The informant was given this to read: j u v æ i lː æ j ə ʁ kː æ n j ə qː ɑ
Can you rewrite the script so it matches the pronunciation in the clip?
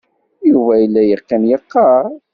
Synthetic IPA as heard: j u v æ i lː æ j ə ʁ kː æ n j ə qː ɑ

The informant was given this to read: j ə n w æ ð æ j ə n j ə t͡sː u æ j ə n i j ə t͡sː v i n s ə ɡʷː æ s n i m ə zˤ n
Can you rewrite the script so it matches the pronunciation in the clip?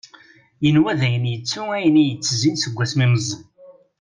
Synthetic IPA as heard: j ə n w æ ð æ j ə n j ə t͡sː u æ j ə n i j ə t͡sː z i n s ə ɡʷː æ s m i m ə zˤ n

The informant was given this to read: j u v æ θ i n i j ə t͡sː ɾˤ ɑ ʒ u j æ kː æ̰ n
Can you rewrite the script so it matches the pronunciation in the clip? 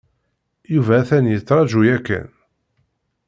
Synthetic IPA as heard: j u v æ θ æ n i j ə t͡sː ɾˤ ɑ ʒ u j æ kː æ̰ n

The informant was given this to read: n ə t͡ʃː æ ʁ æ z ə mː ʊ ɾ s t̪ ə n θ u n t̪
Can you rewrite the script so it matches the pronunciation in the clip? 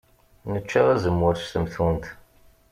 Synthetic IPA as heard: n ə t͡ʃː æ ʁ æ z ə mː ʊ ɾ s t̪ ə m θ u n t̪

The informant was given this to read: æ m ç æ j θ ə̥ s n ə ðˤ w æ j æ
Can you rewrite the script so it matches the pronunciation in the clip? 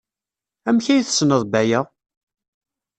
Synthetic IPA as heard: æ m ç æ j θ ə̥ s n ə ðˤ b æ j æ

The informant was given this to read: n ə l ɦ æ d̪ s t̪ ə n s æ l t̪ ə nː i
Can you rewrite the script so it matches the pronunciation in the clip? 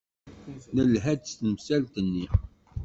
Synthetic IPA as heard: n ə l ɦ æ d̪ s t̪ ə m s æ l t̪ ə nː i

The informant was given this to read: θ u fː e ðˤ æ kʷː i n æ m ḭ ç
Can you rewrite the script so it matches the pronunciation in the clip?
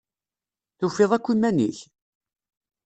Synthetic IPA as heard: θ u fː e ðˤ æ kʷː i m æ n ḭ ç

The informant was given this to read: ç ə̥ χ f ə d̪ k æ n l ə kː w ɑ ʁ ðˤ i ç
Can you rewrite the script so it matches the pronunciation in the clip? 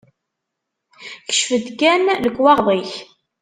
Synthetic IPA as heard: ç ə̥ ʃ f ə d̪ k æ n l ə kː w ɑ ʁ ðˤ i ç

